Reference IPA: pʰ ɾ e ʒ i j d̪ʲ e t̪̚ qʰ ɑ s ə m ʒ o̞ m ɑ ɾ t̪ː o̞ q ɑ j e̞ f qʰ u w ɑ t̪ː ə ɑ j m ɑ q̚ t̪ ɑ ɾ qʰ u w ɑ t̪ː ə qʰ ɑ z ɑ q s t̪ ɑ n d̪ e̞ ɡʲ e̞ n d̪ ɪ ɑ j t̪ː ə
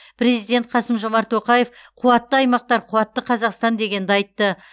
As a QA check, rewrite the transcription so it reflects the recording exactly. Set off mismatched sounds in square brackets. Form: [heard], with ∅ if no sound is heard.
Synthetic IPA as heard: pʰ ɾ e [z] i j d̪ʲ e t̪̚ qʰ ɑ s ə m ʒ o̞ m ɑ ɾ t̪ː o̞ q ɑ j e̞ f qʰ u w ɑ t̪ː ə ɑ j m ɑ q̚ t̪ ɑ ɾ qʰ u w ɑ t̪ː ə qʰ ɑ z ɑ q s t̪ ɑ n d̪ e̞ ɡʲ e̞ n d̪ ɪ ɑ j t̪ː ə